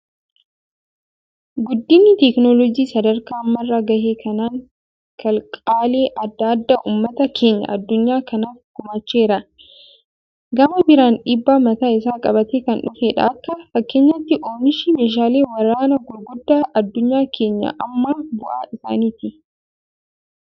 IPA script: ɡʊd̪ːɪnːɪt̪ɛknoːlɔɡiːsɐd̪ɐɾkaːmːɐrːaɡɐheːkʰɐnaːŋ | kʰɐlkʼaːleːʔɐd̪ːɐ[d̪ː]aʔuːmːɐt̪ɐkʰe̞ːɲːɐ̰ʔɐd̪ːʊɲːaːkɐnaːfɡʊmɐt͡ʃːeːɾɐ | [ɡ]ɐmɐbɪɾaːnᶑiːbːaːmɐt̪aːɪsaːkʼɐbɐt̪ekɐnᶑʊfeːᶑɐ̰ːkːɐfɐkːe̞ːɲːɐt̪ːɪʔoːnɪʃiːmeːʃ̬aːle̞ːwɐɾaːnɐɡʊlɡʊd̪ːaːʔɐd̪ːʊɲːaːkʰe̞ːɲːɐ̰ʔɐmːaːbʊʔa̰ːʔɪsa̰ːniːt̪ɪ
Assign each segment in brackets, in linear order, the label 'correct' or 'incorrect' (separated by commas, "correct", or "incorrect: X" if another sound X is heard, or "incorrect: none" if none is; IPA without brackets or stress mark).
correct, correct